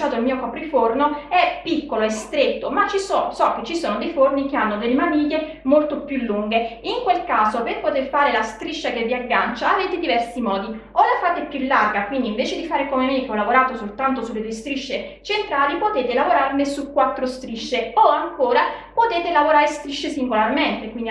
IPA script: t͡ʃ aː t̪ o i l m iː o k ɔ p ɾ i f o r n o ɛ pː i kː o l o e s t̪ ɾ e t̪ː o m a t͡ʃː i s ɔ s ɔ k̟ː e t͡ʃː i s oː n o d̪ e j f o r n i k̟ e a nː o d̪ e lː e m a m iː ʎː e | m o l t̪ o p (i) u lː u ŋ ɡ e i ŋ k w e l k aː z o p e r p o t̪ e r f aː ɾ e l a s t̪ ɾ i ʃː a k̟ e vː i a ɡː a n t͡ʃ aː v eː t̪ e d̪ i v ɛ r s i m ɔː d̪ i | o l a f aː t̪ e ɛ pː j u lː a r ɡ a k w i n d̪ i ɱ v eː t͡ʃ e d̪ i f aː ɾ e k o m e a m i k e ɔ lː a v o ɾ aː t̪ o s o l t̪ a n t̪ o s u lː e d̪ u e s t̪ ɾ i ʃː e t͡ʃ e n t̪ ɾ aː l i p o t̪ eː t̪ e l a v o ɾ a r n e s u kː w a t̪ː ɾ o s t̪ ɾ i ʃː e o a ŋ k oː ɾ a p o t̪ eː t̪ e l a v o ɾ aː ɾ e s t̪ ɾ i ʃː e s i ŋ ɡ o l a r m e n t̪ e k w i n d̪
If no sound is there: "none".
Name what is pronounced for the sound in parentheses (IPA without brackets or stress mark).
j